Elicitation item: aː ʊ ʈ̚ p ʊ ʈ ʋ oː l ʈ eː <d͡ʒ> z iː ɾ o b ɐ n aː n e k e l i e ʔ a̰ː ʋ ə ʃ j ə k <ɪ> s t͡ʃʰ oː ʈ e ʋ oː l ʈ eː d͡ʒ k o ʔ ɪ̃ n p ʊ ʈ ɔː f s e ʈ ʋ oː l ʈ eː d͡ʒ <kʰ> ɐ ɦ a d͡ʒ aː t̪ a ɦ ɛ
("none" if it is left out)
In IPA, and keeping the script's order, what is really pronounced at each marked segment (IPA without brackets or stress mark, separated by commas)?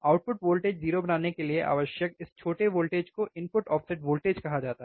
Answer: d͡ʒ, ɪ, k